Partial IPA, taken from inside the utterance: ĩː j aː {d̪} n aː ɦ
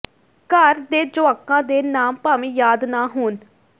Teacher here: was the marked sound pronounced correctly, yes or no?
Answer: yes